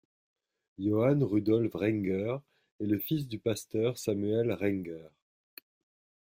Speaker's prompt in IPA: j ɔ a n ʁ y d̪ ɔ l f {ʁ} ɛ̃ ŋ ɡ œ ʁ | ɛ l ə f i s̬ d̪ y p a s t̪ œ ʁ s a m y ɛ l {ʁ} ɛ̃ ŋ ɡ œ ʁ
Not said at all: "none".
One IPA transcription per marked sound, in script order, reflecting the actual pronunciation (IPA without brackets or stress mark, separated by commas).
ʁ, ʁ